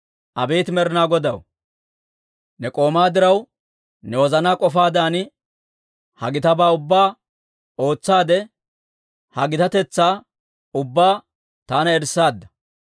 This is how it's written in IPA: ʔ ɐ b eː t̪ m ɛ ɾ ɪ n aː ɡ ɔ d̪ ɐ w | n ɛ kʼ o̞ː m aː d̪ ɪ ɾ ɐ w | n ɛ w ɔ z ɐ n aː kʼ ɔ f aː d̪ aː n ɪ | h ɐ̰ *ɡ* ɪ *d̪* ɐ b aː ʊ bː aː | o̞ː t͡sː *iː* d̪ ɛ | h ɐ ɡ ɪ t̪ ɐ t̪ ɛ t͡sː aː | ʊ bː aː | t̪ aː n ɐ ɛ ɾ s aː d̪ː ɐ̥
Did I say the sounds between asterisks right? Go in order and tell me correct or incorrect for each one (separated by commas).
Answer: correct, incorrect, incorrect